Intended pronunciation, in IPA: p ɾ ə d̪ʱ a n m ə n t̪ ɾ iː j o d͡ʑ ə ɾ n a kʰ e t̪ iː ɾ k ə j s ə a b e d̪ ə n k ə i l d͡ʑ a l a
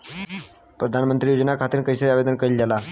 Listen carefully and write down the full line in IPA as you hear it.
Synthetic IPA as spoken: p ɾ ə d̪ʱ a n m ə n t̪ ɾ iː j o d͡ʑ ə n a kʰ a t̪ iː ɾ k ə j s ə a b e d̪ ə n k ə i l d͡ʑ a l a